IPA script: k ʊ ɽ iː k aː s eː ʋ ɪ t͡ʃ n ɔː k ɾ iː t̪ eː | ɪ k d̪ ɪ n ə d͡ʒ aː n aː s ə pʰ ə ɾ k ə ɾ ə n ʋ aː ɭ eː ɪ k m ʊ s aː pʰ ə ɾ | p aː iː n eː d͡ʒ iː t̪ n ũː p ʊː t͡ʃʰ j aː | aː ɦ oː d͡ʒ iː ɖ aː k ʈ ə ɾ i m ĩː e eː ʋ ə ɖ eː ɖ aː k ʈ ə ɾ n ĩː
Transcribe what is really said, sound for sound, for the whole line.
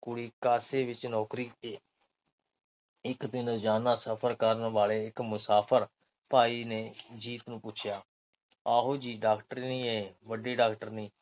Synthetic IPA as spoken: k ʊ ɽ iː k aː s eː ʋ ɪ t͡ʃ n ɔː k ɾ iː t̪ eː | ɪ k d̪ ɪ n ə d͡ʒ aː n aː s ə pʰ ə ɾ k ə ɾ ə n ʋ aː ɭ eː ɪ k m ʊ s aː pʰ ə ɾ | p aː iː n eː d͡ʒ iː t̪ n ũː p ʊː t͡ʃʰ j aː | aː ɦ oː d͡ʒ iː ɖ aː k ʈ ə ɾ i n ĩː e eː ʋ ə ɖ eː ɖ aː k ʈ ə ɾ n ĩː

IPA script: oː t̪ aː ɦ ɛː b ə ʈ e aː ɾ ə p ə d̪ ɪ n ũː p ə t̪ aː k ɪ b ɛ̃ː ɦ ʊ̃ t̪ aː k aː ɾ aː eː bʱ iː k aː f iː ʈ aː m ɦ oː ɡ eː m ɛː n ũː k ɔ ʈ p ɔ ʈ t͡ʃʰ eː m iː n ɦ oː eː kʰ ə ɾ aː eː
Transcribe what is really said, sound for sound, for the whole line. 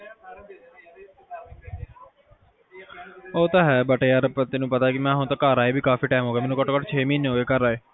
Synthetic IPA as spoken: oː t̪ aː ɦ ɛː b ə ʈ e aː ɾ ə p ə t̪ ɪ n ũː p ə t̪ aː k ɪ m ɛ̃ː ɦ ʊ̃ t̪ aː k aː ɾ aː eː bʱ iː k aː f iː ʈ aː m ɦ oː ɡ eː m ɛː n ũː k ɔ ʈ k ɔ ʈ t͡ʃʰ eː m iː n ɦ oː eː k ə ɾ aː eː

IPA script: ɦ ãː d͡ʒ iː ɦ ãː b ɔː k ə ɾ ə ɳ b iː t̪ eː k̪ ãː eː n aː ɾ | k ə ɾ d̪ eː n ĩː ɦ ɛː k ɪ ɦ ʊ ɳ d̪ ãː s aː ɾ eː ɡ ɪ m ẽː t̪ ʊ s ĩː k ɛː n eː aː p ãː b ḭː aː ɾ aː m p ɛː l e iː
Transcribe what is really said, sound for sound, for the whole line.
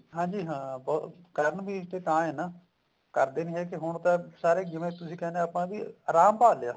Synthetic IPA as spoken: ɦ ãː d͡ʒ iː ɦ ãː b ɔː k ə ɾ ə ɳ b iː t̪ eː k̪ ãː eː n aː | k ə ɾ d̪ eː n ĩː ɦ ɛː k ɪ ɦ ʊ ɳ t̪ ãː s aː ɾ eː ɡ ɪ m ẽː t̪ ʊ s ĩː k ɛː n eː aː p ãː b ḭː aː ɾ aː m p aː l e aː

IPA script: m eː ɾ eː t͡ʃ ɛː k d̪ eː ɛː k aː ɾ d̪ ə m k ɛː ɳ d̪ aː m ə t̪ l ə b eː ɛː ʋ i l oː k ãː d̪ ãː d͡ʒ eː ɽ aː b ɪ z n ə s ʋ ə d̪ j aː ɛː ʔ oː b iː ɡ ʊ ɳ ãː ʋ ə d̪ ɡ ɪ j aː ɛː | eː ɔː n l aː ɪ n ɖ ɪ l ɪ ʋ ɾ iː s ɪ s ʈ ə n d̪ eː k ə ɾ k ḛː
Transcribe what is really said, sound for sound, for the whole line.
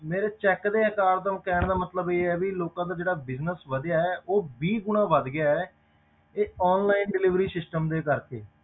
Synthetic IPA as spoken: m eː ɾ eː t͡ʃ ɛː k d̪ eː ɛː k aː ɾ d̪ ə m k ɛː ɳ d̪ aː m ə t̪ l ə b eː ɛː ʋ i l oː k ãː d̪ aː d͡ʒ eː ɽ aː b ɪ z n ə s ʋ ə d̪ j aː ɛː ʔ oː b iː ɡ ʊ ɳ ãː ʋ ə d̪ ɡ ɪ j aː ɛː | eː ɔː n l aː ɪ n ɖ ɪ l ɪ ʋ ɾ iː s ɪ s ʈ ə m d̪ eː k ə ɾ k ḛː

